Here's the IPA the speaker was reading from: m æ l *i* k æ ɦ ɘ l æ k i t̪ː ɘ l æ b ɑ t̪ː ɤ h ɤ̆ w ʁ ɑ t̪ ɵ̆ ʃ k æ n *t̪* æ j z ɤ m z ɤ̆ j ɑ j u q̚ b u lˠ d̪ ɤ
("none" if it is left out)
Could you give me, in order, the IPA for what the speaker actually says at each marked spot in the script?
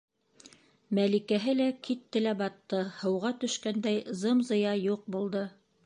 i, d̪

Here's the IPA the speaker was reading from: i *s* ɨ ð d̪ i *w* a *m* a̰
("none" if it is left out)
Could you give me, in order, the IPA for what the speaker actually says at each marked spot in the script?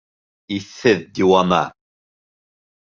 θ, w, m

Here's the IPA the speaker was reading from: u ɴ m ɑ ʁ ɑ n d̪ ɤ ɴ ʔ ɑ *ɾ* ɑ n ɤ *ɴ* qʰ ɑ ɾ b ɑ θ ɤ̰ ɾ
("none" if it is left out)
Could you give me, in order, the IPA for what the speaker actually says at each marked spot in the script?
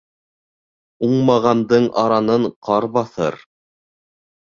ɾ, ɴ

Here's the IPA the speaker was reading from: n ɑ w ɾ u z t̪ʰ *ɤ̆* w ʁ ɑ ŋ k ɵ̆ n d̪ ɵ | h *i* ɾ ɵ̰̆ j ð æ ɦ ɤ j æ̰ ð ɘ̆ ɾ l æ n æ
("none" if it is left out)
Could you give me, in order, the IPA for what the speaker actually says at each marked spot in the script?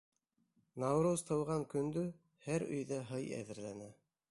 ɤ̆, æ

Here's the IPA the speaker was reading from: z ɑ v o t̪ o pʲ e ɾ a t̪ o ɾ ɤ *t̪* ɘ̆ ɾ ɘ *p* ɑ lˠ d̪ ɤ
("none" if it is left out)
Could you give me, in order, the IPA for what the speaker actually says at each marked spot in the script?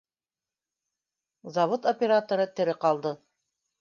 t̪, q

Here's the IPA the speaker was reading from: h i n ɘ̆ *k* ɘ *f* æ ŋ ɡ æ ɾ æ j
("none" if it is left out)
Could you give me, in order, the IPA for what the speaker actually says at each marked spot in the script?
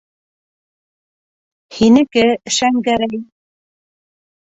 k, ʃ

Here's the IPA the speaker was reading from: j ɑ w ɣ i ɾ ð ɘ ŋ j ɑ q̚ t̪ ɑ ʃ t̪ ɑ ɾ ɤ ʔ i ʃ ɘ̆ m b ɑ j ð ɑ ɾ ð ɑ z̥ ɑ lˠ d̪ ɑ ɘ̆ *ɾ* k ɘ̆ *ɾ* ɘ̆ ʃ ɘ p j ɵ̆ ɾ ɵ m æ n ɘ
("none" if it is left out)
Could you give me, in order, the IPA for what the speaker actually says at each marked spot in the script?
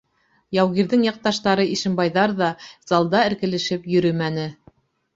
ɾ, l

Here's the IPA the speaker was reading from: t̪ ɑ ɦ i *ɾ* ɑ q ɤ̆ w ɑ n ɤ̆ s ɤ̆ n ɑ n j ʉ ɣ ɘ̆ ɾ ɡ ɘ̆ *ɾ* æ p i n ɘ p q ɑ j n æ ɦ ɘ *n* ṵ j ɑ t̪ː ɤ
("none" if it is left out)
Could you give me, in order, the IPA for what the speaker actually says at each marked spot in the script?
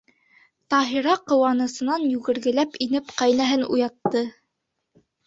ɾ, l, n

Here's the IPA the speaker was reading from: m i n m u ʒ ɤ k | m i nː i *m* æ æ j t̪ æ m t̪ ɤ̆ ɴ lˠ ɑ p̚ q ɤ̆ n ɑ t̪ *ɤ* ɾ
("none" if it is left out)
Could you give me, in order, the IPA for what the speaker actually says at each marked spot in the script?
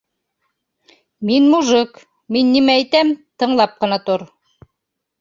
m, o

